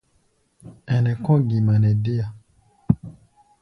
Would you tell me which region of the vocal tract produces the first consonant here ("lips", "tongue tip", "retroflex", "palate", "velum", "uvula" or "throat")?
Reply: tongue tip